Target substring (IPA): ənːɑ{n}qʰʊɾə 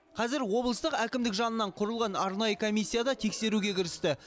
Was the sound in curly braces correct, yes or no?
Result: no